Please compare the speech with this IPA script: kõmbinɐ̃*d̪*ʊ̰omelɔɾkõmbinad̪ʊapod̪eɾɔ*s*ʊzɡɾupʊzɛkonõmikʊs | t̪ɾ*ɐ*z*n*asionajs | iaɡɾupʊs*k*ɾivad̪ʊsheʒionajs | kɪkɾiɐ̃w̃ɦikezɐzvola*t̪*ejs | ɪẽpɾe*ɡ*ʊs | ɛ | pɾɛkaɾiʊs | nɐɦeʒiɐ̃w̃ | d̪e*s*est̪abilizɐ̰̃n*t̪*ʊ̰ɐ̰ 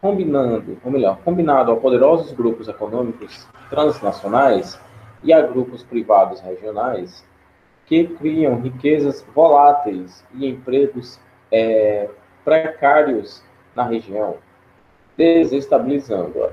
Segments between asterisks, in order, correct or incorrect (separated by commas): correct, incorrect, incorrect, correct, incorrect, correct, correct, incorrect, incorrect